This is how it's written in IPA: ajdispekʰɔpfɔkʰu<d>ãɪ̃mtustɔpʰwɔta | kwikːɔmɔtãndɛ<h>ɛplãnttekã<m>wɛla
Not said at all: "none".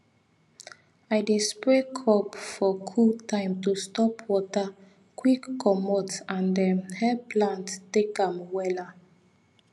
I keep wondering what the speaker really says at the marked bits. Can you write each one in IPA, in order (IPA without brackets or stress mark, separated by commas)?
t, h, m